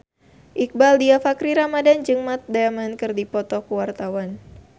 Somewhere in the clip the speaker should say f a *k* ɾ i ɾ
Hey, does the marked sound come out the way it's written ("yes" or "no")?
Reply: yes